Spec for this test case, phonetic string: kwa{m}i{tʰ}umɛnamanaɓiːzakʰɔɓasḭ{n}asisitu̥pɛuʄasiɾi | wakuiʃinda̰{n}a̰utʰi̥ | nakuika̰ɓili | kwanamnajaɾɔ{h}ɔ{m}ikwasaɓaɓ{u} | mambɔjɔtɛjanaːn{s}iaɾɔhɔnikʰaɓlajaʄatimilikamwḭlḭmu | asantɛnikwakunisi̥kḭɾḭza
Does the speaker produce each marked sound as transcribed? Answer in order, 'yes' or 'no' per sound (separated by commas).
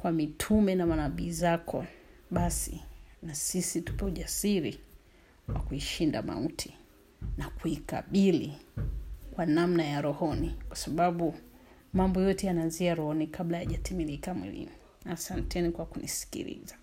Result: yes, yes, yes, no, yes, no, yes, no